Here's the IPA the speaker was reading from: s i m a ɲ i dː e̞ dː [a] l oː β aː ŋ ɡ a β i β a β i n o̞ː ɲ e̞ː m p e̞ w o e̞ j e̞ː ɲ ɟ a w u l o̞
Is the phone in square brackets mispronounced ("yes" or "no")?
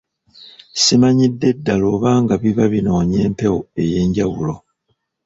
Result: no